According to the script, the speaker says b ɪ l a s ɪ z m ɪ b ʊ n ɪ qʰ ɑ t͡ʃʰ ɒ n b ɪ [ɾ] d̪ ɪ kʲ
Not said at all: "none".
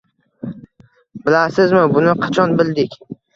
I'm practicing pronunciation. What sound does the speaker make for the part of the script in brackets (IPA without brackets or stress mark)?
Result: l